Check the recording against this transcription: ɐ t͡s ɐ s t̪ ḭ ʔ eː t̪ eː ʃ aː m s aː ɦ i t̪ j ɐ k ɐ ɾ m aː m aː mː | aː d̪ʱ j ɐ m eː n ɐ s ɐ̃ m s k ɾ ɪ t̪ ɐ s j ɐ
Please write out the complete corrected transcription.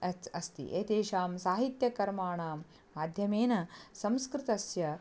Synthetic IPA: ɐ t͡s ɐ s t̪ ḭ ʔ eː t̪ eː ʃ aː m s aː ɦ i t̪ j ɐ k ɐ ɾ m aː ɳ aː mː | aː d̪ʱ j ɐ m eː n ɐ s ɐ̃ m s k ɾ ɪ t̪ ɐ s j ɐ